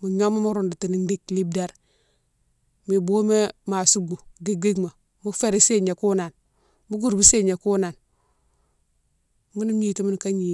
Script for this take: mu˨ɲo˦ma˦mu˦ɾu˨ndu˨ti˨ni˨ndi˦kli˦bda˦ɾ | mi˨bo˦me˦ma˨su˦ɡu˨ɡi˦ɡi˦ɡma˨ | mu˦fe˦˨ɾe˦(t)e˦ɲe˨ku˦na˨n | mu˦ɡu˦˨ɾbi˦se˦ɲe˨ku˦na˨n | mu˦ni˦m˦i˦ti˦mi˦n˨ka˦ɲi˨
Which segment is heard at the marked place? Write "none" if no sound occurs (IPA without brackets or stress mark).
s